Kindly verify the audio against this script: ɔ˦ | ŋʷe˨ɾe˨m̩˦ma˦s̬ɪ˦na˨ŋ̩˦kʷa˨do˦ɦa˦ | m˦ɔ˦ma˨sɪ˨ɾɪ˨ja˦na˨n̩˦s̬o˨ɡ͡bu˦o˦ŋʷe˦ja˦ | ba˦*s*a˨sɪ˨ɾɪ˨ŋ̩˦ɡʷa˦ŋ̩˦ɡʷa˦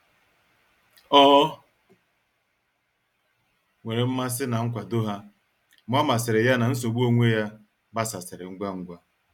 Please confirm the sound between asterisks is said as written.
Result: yes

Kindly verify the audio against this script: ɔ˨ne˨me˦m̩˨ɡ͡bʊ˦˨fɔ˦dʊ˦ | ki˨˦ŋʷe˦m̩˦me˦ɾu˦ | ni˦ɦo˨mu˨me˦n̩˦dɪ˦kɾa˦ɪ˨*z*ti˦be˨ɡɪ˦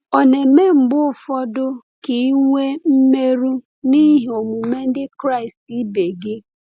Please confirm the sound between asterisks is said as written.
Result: no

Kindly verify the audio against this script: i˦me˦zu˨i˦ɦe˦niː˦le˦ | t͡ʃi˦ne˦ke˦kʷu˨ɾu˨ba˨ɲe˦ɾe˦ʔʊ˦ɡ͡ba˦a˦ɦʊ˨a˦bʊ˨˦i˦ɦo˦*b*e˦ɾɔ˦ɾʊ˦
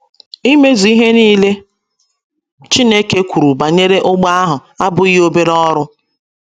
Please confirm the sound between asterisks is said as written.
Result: yes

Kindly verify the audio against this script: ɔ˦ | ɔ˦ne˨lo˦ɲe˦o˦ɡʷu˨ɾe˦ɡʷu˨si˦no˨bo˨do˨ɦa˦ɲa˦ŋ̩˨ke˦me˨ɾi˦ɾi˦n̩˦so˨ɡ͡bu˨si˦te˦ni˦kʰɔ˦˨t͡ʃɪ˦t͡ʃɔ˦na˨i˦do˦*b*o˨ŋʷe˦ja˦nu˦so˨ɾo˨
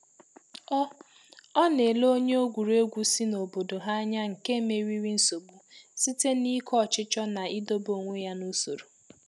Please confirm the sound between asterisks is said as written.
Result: yes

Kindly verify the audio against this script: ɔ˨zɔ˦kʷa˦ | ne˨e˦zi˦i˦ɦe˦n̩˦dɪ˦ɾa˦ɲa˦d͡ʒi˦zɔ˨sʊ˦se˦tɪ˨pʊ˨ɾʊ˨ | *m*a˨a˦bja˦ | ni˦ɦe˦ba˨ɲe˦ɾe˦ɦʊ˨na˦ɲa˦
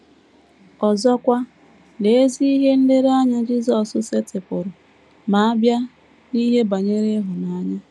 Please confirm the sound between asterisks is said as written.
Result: yes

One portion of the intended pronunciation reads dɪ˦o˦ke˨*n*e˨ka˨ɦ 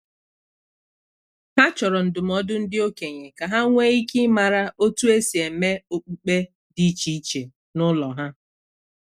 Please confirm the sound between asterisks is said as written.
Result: no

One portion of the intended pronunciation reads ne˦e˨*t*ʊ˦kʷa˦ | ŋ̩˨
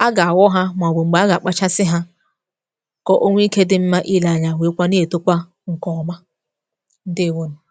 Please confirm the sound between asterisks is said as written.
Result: yes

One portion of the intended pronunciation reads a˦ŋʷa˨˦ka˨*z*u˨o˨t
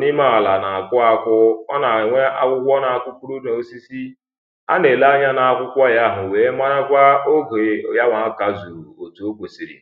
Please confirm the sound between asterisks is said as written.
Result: yes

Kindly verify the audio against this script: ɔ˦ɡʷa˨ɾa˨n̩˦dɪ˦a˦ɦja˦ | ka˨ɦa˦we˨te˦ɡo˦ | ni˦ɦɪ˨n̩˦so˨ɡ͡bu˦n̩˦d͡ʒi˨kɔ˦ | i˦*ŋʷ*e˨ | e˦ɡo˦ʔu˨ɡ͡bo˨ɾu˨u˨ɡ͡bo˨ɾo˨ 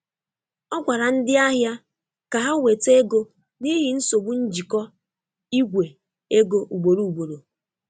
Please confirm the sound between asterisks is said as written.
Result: no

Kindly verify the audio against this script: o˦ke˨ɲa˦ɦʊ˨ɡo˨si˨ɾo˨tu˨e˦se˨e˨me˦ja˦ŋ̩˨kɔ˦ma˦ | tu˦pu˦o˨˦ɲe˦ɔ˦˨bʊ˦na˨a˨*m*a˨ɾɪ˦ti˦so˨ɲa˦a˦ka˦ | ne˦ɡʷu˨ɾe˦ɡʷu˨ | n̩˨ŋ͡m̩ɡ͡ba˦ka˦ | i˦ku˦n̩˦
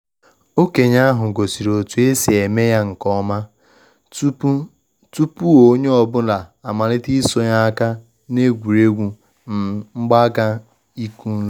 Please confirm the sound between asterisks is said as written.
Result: yes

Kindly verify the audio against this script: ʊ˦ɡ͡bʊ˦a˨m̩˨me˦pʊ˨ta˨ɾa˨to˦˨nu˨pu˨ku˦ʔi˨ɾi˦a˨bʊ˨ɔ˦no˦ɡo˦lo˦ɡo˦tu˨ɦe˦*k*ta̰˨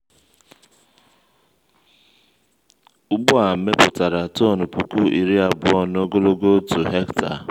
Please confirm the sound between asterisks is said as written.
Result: yes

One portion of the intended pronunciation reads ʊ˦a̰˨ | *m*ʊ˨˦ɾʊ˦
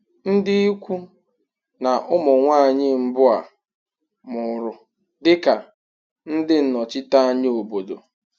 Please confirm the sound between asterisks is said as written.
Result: yes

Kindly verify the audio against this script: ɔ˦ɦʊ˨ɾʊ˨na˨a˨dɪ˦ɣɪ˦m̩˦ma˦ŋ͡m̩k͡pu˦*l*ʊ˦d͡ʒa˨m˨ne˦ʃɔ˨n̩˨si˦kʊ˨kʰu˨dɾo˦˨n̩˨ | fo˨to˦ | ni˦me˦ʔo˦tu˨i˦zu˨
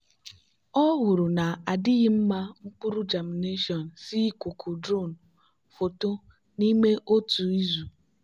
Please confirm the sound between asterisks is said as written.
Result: no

